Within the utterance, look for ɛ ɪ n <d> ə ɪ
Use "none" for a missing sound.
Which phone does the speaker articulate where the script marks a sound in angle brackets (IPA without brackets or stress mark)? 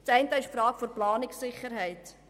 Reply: t